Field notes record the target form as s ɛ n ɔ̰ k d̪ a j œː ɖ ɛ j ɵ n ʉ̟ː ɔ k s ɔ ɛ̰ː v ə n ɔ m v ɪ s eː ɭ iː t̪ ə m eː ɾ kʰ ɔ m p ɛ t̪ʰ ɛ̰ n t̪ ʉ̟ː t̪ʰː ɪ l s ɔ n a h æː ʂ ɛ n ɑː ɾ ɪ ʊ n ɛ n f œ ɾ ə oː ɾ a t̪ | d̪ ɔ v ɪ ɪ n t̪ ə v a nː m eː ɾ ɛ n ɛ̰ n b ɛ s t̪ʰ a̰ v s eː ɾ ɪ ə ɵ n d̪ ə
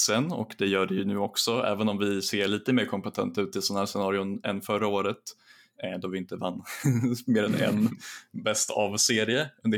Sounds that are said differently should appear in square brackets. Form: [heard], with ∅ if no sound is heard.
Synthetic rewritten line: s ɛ n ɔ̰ k d̪ [ɛ] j œː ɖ ɛ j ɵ n ʉ̟ː ɔ k s ɔ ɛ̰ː v ə n ɔ m v ɪ s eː ɭ iː t̪ ə m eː ɾ kʰ ɔ m p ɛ t̪ʰ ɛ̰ n t̪ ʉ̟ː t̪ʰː ɪ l s ɔ n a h æː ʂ ɛ n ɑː ɾ ɪ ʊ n ɛ n f œ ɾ [a] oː ɾ [ə] t̪ | d̪ ɔ v ɪ ɪ n t̪ ə v a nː m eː ɾ ɛ n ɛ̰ n b ɛ s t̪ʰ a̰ v s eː ɾ ɪ ə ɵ n d̪ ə